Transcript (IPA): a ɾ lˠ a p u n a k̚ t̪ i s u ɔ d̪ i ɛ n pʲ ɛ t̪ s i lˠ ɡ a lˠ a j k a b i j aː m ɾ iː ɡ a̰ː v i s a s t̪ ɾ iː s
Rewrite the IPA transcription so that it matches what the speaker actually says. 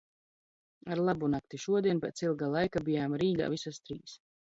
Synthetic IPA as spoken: a ɾ lˠ a b u n a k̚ t̪ i ʃ u ɔ d̪ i ɛ n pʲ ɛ t̪ s i lˠ ɡ a lˠ a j k a b i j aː m ɾ iː ɡ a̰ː v i s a s t̪ ɾ iː s